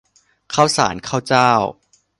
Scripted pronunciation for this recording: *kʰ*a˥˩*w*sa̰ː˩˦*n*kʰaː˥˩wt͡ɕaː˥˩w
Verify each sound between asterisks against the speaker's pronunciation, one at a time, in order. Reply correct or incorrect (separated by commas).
correct, correct, correct